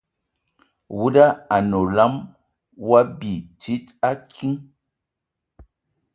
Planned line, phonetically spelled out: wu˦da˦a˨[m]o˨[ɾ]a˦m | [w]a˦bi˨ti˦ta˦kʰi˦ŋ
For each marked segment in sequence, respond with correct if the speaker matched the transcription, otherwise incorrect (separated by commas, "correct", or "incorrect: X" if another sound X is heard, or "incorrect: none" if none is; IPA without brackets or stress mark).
incorrect: n, incorrect: l, correct